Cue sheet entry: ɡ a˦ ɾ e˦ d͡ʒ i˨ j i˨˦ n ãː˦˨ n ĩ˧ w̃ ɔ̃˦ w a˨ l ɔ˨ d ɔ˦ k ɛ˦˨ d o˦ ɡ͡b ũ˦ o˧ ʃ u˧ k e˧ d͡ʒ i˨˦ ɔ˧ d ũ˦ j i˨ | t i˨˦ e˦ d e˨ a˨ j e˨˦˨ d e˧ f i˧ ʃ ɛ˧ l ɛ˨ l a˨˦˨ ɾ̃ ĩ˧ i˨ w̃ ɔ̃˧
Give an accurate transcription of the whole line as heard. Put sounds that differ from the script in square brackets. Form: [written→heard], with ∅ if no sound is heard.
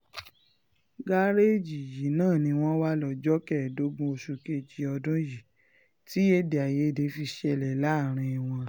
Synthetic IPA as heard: ɡ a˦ ɾ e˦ d͡ʒ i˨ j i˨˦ n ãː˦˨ n ĩ˧ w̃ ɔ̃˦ w [a˨→a˦] l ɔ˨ [d→d͡ʒ] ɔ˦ k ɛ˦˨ d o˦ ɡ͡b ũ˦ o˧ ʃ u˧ k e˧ d͡ʒ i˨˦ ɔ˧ d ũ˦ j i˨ | t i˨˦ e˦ d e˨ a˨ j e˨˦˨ d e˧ f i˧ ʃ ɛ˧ l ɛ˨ l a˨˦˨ ɾ̃ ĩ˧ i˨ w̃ ɔ̃˧